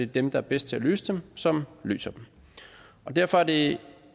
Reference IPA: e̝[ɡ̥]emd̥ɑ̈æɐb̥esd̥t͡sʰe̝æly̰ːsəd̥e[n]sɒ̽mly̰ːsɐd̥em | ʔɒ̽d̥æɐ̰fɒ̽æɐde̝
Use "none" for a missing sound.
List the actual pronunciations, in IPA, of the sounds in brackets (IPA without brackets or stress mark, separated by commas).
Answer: d̥, m